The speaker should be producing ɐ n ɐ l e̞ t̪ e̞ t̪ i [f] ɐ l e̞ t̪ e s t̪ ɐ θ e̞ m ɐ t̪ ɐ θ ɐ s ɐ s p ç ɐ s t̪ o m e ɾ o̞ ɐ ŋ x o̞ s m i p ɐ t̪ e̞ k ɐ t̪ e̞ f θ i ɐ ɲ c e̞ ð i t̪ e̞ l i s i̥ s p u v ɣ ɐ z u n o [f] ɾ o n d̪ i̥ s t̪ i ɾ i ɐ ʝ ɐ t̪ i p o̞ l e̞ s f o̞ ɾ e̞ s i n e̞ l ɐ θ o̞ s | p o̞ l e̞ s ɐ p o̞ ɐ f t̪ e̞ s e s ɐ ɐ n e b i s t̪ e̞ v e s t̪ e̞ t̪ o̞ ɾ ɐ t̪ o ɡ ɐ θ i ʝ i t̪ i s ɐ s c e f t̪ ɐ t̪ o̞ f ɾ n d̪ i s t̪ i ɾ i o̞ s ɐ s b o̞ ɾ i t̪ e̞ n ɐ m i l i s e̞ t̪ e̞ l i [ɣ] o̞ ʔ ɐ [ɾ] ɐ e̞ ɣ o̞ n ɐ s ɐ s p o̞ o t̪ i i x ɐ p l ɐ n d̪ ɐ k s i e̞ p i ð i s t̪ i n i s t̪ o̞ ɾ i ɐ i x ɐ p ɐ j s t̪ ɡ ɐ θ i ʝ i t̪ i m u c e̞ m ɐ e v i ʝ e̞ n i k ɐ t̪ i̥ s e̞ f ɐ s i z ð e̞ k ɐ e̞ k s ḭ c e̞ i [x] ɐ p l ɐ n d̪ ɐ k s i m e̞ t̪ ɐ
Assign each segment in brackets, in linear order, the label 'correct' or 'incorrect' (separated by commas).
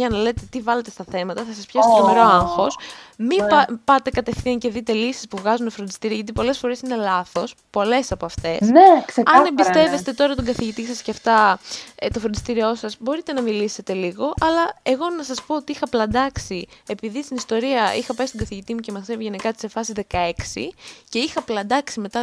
incorrect, correct, correct, incorrect, correct